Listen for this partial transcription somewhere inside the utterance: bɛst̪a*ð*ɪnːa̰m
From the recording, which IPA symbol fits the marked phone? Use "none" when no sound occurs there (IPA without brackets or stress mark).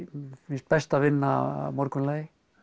v